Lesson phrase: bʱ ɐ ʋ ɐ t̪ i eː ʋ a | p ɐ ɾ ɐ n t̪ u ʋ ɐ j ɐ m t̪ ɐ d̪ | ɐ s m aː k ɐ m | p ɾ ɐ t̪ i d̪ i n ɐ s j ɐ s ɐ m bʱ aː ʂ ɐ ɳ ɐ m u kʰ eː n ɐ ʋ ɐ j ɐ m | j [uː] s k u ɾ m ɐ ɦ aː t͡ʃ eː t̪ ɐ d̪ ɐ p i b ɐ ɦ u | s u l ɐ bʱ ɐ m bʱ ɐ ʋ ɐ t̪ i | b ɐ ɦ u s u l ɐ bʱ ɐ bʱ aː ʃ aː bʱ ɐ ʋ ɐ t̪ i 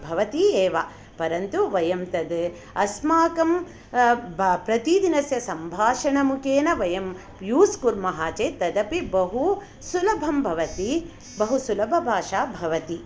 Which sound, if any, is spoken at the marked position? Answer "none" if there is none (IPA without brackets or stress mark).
uː